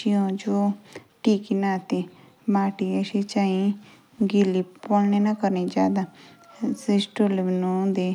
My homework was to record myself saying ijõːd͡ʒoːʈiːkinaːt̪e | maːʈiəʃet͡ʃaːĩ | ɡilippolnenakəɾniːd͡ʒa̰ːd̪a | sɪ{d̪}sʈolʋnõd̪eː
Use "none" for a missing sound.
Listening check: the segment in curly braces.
none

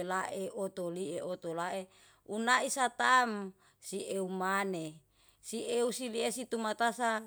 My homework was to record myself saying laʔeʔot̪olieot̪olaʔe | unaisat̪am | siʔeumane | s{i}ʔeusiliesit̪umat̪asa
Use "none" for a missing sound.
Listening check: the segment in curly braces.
i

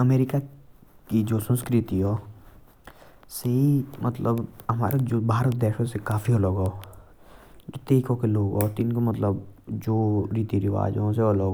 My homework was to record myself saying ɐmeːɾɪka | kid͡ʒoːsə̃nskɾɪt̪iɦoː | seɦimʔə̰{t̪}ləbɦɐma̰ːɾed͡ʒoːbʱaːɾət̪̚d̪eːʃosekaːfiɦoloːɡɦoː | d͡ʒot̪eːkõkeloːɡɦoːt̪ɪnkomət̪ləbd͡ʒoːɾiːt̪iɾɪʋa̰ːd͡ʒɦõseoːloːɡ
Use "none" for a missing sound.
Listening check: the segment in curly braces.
t̪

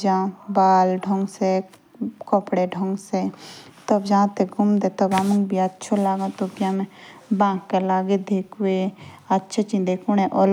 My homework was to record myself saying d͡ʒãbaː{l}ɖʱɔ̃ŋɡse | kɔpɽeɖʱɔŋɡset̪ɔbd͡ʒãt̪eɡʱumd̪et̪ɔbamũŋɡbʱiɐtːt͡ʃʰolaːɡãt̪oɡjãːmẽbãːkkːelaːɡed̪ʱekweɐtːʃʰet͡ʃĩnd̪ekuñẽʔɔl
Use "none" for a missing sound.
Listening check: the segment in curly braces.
l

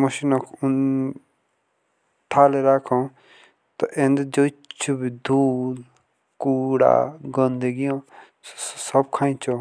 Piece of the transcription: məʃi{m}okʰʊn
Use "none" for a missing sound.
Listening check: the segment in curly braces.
n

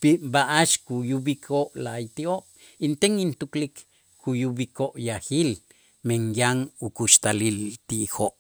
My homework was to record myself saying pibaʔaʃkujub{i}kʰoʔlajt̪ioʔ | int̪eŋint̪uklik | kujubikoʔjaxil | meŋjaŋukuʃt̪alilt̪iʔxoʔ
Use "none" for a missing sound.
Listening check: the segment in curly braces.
i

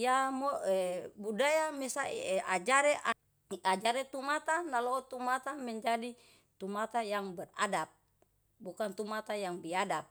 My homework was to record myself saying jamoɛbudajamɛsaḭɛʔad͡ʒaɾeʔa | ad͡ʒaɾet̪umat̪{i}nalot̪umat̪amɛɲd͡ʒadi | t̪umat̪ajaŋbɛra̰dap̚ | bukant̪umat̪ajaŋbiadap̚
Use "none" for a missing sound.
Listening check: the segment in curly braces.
a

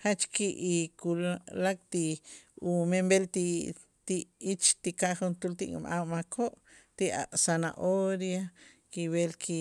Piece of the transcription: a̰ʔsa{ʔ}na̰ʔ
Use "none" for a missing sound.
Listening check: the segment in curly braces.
none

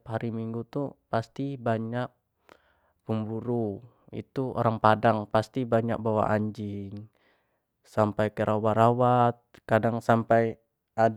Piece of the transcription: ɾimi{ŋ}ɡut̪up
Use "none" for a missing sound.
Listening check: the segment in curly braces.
ŋ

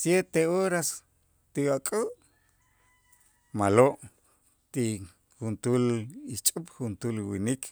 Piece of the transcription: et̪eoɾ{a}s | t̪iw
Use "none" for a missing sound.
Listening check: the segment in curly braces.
a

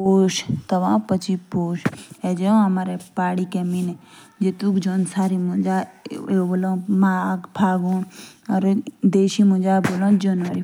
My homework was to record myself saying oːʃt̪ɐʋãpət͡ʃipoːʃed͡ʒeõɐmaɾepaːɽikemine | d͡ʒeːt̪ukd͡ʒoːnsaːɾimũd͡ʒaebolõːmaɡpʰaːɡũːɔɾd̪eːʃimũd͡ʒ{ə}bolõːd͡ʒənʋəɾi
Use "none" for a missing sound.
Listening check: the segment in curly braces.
a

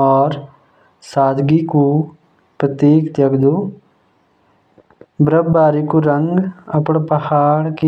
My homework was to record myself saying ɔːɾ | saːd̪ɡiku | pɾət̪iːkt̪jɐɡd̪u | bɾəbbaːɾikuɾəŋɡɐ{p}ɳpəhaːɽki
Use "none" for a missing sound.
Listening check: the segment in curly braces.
p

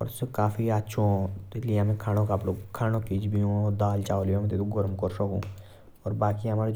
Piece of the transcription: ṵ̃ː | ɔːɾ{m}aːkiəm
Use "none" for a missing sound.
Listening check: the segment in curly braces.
b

